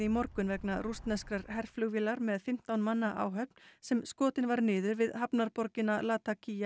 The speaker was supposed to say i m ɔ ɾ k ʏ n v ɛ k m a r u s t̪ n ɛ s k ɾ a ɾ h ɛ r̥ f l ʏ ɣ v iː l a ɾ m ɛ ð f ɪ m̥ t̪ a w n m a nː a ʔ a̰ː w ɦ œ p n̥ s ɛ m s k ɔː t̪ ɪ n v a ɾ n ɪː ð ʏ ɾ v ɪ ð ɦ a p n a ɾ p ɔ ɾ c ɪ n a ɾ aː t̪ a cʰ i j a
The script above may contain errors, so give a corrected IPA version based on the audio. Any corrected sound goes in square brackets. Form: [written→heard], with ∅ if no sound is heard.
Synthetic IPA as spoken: i m ɔ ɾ k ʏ n v ɛ k [m→n] a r u s t̪ n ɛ s k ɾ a ɾ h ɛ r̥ f l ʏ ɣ v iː l a ɾ m ɛ ð f ɪ m̥ t̪ a w n m a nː a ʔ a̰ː w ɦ œ p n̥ s ɛ m s k ɔː t̪ ɪ n v a ɾ n ɪː ð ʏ ɾ v ɪ ð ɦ a p n a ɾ p ɔ ɾ c ɪ n a [ɾ→l] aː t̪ a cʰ i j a